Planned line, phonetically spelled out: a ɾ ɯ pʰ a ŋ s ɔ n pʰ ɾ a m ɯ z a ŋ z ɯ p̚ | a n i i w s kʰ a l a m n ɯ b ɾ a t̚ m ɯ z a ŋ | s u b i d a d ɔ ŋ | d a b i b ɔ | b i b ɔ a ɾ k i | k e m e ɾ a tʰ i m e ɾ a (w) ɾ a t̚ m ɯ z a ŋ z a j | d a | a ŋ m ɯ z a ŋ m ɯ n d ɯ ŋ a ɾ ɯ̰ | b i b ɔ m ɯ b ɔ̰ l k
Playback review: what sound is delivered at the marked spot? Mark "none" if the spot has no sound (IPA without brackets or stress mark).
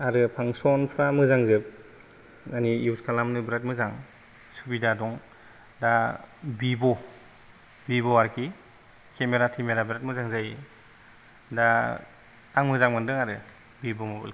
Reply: b